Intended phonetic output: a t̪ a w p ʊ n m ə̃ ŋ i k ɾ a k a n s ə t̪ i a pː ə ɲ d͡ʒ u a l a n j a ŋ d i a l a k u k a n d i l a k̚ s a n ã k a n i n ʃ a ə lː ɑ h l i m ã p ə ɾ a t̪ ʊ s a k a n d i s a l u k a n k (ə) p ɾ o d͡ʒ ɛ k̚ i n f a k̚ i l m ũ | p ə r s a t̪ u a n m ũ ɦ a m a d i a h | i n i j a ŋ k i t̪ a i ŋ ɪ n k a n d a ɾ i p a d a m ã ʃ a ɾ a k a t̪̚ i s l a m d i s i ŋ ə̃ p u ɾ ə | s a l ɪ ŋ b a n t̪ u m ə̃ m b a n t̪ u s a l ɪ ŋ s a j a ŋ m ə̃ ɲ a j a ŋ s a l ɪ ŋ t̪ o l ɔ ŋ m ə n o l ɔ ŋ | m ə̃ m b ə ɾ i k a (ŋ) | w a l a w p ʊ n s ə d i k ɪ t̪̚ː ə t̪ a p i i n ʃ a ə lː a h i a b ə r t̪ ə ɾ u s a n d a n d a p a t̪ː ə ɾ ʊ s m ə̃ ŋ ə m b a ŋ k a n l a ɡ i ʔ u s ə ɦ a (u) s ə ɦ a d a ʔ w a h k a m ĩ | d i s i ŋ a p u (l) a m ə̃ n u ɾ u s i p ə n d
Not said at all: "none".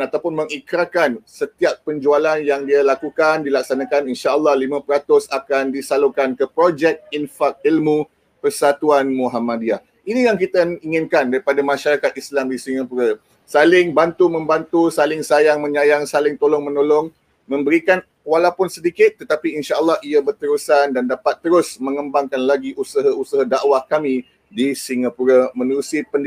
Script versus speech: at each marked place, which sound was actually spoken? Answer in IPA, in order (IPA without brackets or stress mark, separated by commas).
ə, n, u, ɾ